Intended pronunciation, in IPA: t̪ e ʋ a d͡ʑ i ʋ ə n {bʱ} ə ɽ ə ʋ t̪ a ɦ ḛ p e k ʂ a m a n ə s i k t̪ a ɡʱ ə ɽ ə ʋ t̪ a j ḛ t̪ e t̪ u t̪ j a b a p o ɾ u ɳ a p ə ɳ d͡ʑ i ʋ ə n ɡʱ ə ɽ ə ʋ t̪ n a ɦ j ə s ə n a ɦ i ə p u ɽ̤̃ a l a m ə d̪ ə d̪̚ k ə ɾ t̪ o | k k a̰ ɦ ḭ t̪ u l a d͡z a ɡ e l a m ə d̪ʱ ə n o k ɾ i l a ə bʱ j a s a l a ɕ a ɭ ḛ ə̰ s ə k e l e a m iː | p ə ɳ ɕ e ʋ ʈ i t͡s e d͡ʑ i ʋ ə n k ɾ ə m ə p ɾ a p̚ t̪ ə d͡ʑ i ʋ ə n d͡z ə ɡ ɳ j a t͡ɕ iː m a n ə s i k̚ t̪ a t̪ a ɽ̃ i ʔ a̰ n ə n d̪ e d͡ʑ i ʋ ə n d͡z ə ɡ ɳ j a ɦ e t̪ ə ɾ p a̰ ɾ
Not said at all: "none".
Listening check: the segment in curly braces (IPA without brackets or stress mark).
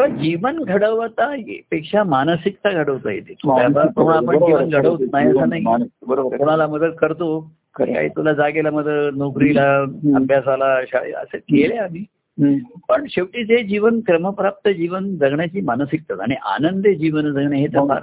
ɡʱ